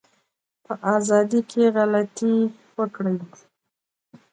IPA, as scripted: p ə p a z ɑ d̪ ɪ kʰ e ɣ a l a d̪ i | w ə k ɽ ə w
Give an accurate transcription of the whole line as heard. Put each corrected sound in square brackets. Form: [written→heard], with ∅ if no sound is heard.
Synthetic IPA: p ə [p→ʔ] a z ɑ d̪ [ɪ→i] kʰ e ɣ a l a [d̪→t̪] i | w ə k ɽ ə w